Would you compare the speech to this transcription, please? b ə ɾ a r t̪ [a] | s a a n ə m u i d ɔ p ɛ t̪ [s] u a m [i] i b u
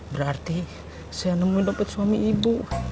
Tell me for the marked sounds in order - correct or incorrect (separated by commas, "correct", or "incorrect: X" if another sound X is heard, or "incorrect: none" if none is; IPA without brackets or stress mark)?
incorrect: i, correct, correct